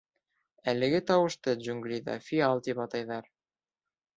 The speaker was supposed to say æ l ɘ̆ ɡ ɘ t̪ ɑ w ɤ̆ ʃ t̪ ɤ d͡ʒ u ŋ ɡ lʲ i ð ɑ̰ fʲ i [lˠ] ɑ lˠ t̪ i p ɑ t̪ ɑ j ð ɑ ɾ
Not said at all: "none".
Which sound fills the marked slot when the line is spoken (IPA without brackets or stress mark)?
none